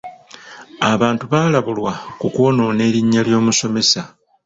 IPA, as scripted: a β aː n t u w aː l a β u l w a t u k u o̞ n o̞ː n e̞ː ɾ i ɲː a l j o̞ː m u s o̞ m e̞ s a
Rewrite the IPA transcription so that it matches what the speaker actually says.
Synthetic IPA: a β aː n t u β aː l a β u l w a k u k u o̞ n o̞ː n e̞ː ɾ i ɲː a l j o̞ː m u s o̞ m e̞ s a